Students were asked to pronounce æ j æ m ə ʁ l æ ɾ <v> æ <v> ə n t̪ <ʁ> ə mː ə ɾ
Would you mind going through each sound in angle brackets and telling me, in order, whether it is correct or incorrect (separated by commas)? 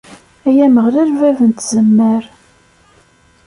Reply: correct, correct, incorrect